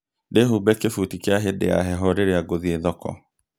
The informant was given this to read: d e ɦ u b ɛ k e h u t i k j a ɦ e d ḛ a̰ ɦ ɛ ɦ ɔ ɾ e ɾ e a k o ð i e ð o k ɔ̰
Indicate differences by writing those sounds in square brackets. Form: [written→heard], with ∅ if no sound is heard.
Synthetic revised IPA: d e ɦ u b ɛ k e [h→f] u t i k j a ɦ e d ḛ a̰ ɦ ɛ ɦ ɔ ɾ e ɾ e a [k→ɡ] o ð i e ð [o→ɔ] k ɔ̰